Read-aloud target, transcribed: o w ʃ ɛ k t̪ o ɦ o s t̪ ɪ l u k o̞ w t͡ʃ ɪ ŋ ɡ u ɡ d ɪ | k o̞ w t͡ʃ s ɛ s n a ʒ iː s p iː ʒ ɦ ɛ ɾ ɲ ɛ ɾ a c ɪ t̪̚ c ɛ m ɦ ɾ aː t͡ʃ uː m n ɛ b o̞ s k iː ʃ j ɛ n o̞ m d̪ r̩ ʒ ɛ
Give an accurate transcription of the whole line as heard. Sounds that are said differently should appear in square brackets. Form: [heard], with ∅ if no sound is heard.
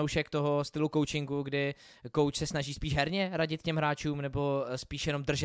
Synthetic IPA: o w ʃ ɛ k t̪ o ɦ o s t̪ ɪ l u k o̞ w t͡ʃ ɪ ŋ ɡ u ɡ d ɪ | k o̞ w t͡ʃ s ɛ s n a ʒ iː s p iː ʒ ɦ ɛ ɾ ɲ ɛ ɾ a [ɟ] ɪ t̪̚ c ɛ m ɦ ɾ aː t͡ʃ uː m n ɛ b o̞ s [p] iː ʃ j ɛ n o̞ m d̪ r̩ ʒ ɛ